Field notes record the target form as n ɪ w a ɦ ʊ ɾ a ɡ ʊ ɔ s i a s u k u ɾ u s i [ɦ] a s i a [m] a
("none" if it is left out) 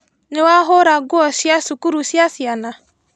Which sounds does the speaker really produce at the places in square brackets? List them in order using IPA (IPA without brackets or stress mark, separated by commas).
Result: none, n